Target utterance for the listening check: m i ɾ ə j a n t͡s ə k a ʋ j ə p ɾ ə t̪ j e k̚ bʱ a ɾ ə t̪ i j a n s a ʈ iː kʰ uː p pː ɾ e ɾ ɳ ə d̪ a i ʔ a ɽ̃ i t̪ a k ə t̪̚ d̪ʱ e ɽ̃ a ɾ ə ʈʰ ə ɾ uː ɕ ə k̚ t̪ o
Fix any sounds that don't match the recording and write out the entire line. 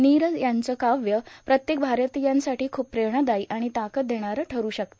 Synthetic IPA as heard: n i ɾ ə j a n t͡s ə k a ʋ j ə p ɾ ə t̪ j e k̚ bʱ a ɾ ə t̪ i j a n s a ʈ iː kʰ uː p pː ɾ e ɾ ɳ ə d̪ a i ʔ a ɽ̃ i t̪ a k ə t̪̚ d̪ʱ e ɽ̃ a ɾ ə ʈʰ ə ɾ uː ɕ ə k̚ t̪ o